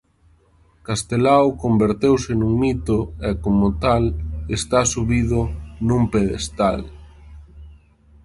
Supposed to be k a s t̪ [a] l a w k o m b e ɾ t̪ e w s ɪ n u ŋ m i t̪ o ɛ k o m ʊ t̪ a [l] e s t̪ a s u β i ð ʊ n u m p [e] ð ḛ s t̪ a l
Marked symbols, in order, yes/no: no, yes, yes

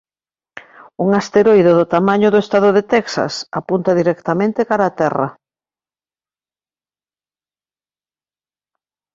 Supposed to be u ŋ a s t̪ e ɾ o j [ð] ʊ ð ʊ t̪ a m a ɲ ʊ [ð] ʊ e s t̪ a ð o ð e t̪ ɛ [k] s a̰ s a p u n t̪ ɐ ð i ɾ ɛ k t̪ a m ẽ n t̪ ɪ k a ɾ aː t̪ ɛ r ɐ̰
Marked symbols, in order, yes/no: yes, yes, yes

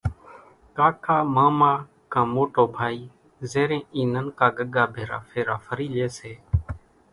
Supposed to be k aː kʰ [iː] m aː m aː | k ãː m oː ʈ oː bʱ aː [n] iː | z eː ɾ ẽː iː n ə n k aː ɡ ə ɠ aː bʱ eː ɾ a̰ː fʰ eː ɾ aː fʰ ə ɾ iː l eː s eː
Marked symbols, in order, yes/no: no, no

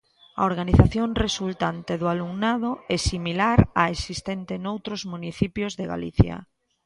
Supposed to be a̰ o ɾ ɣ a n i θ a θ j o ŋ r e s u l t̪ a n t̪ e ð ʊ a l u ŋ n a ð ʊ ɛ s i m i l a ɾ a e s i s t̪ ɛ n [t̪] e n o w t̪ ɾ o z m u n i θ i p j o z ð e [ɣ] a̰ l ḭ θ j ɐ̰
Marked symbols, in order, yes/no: yes, yes

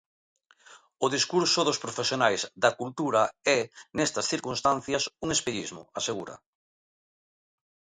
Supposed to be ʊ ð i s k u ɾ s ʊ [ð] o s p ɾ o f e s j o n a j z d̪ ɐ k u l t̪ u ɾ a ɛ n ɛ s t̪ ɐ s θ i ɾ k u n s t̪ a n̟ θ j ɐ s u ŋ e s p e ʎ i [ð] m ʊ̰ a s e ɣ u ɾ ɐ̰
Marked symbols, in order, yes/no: yes, no

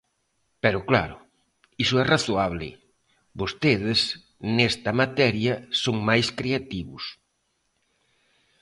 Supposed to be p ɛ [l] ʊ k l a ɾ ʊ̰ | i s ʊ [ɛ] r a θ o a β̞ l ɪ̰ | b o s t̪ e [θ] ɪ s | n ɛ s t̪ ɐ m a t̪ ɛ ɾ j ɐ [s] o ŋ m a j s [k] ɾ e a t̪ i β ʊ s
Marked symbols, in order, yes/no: no, yes, no, yes, yes

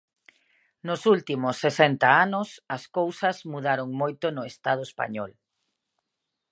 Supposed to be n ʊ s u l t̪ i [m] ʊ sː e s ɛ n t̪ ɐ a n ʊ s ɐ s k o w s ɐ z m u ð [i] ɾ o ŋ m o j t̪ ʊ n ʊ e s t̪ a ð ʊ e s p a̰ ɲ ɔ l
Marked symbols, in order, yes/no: yes, no

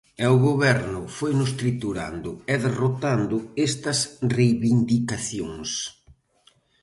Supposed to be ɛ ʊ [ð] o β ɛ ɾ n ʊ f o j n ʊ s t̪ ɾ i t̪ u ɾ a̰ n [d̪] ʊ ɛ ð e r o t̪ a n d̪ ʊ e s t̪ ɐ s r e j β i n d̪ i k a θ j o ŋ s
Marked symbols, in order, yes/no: no, yes

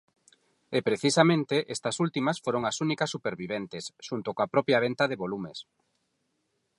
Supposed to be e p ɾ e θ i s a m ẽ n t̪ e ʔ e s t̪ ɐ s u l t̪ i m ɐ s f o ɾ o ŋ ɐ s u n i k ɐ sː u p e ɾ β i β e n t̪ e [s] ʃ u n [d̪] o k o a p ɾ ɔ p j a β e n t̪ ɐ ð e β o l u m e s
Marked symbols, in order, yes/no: yes, no

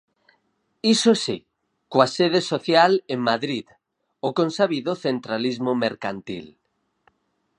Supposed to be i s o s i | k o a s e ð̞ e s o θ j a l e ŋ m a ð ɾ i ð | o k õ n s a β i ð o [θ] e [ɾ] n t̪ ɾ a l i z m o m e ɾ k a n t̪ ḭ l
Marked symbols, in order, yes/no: yes, no

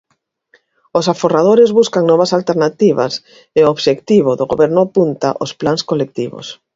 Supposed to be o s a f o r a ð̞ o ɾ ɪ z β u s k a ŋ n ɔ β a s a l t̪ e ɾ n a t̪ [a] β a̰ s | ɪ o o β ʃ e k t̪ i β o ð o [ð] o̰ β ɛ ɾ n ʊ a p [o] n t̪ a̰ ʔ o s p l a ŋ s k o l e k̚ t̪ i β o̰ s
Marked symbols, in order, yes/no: no, no, no

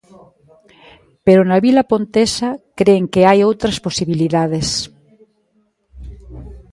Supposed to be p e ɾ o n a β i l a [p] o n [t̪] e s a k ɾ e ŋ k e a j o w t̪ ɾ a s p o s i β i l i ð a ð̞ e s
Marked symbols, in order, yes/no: yes, yes

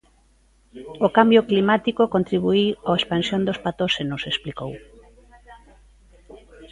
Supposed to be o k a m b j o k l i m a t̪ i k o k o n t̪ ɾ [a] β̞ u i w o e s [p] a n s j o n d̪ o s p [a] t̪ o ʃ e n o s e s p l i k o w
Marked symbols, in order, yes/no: no, yes, yes

